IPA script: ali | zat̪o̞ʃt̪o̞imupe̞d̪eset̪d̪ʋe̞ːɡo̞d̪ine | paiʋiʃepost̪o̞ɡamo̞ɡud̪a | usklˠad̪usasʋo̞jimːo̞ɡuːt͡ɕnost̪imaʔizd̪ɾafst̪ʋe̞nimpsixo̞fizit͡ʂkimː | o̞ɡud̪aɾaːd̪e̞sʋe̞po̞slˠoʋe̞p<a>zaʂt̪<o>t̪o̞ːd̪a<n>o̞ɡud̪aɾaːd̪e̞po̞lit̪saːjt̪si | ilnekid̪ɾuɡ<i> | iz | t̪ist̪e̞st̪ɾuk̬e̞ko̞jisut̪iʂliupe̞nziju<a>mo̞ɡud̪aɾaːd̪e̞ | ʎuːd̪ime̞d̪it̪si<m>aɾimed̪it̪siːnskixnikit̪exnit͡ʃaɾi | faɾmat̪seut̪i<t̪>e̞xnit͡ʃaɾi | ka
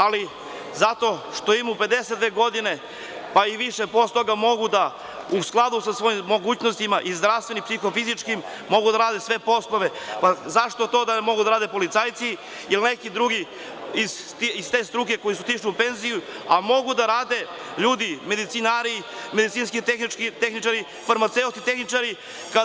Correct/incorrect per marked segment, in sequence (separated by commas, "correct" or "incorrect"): correct, correct, incorrect, correct, correct, incorrect, correct